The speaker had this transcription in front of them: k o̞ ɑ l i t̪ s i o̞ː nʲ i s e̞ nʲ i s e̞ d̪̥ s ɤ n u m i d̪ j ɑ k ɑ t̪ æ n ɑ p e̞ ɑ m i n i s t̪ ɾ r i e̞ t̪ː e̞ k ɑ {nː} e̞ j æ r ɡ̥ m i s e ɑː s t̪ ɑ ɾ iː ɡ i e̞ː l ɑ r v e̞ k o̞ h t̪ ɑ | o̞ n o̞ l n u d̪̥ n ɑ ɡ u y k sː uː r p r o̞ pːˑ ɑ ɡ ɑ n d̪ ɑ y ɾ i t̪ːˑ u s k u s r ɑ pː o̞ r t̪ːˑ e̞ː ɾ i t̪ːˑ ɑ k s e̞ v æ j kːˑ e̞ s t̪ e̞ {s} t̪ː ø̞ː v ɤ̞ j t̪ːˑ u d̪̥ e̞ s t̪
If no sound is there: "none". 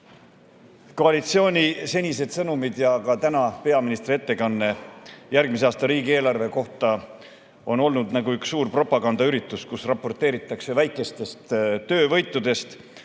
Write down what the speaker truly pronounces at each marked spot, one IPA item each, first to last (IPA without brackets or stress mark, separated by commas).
nː, s